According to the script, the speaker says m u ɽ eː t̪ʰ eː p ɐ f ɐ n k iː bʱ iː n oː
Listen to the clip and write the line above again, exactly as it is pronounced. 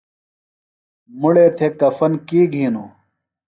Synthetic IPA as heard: m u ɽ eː t̪ʰ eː k ɐ f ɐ n k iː ɡʱ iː n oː